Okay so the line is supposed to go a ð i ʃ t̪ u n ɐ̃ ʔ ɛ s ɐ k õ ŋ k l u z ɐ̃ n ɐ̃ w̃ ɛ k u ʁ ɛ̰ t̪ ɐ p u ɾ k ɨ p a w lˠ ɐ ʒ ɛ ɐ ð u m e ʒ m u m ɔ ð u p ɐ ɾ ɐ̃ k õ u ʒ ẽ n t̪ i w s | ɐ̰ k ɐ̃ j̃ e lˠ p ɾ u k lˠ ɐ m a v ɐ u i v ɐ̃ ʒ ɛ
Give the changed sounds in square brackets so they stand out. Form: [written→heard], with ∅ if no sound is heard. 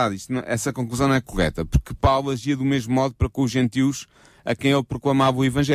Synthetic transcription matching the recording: a ð i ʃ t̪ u n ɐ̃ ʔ ɛ s ɐ k õ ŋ k l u z ɐ̃ n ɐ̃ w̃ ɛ k u ʁ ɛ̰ t̪ ɐ p u ɾ k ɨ p a w lˠ ɐ ʒ [ɛ→i] ɐ ð u m e ʒ m u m ɔ ð u p ɐ ɾ [ɐ̃→ɐ] k õ u ʒ ẽ n t̪ i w [s→ʃ] | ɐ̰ k ɐ̃ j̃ e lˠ p ɾ u k lˠ ɐ m a v ɐ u i v ɐ̃ ʒ ɛ